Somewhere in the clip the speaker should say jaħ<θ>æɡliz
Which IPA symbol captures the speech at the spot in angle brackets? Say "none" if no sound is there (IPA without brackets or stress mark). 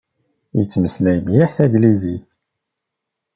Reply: θ